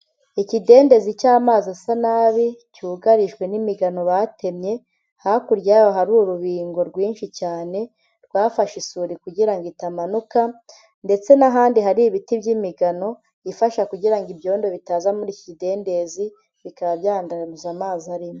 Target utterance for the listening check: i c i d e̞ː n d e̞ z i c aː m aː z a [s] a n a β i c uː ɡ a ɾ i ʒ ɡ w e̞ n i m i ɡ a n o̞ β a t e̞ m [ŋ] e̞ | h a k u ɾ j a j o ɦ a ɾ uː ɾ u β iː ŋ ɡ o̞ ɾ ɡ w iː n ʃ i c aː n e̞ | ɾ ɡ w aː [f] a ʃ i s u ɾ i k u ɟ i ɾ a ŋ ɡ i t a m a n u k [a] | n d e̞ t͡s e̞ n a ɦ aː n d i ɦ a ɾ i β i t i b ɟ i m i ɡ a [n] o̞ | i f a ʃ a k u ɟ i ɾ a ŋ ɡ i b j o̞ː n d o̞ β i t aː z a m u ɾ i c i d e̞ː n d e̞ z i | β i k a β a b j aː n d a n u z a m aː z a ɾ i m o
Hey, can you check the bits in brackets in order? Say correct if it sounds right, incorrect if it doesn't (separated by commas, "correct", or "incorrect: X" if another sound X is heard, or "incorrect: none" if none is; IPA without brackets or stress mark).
correct, incorrect: ɲ, correct, correct, correct